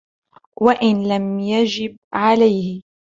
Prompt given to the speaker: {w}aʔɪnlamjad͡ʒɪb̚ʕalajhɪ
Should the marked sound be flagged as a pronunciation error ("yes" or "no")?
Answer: no